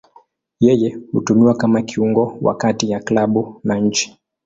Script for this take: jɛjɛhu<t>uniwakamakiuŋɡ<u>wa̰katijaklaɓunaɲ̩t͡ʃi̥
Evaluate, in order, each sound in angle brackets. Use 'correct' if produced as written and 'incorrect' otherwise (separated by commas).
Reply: correct, incorrect